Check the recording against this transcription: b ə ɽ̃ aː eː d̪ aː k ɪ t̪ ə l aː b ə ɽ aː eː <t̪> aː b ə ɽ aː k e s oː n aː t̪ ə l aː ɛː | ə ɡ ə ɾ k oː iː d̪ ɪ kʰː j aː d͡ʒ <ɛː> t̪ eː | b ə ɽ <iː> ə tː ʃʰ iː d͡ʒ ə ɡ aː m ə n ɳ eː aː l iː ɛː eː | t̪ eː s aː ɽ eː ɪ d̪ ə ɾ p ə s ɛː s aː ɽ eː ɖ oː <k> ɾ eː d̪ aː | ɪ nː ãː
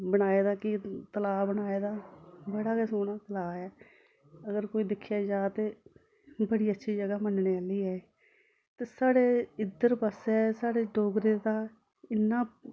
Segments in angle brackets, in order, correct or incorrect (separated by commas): incorrect, incorrect, correct, incorrect